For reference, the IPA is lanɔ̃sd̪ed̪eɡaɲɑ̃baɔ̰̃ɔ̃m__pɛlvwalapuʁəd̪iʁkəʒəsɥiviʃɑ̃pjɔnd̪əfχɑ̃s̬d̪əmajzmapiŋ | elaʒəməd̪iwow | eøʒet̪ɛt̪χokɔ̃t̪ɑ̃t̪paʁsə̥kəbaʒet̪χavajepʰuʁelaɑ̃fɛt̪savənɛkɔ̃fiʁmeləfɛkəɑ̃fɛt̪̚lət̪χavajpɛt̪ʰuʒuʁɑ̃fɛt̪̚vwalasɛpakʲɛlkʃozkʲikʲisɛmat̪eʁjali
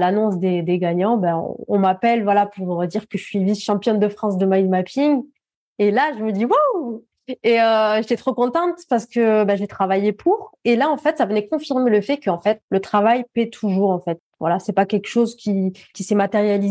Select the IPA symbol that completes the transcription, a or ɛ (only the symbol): a